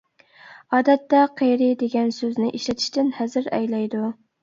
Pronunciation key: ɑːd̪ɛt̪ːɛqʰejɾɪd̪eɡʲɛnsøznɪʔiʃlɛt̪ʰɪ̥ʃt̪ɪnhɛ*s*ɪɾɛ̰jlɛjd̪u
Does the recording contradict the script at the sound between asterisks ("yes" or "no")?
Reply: yes